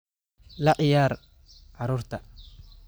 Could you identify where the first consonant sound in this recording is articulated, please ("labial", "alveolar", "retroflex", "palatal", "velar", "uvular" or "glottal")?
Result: alveolar